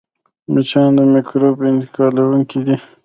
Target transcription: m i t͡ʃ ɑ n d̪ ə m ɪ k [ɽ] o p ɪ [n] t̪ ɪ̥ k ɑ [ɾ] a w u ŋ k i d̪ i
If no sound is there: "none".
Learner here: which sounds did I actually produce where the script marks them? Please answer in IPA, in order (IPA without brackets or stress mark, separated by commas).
ɾ, n, l